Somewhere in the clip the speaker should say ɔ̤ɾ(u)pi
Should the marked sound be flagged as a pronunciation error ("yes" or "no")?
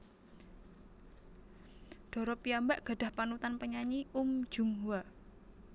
yes